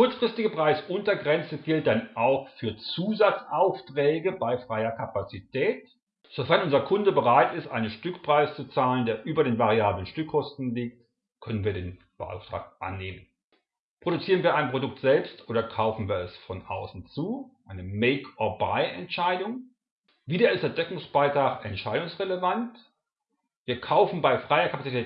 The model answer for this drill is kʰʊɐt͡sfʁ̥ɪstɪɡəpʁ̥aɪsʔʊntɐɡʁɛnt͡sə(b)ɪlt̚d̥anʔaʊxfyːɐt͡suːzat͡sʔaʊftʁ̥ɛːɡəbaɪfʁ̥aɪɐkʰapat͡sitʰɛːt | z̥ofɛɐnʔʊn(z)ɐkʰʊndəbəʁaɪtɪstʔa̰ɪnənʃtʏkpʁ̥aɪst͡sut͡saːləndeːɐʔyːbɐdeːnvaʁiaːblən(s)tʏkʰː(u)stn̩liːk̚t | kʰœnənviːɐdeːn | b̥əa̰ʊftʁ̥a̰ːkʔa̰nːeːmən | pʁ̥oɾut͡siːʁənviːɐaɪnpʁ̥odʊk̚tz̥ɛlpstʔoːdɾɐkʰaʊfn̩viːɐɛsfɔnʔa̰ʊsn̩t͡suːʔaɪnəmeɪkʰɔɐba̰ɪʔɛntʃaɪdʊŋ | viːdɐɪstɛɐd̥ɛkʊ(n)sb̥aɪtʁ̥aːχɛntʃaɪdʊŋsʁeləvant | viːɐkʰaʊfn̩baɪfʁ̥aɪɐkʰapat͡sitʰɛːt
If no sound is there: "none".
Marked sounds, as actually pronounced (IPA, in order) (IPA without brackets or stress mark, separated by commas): ɡ, z, ʃ, ɔ, ŋ